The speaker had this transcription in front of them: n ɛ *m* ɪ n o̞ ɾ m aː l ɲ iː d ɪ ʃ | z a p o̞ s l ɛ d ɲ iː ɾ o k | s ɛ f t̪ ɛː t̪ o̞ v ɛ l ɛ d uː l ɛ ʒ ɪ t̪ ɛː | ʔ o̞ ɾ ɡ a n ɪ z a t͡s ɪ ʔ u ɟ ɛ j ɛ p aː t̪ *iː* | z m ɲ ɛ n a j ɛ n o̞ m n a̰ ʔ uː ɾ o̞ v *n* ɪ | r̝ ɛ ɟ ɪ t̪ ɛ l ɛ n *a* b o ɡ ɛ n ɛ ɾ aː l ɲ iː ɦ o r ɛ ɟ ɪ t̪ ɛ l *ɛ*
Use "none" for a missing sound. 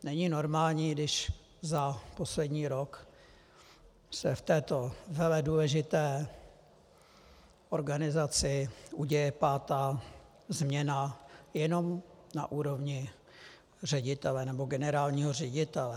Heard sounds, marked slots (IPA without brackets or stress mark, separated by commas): ɲ, aː, ɲ, ɛ, ɛ